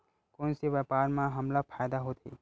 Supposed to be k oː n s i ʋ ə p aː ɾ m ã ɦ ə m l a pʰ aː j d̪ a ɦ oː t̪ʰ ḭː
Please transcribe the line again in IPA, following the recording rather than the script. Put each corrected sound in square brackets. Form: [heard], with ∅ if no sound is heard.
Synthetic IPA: k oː n s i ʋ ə p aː ɾ m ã ɦ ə m l a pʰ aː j d̪ a ɦ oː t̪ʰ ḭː